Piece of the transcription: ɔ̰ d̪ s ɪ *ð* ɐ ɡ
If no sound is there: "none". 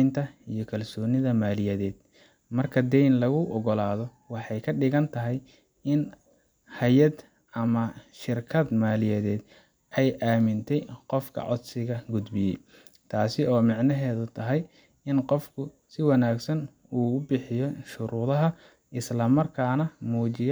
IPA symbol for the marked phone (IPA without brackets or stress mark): ɣ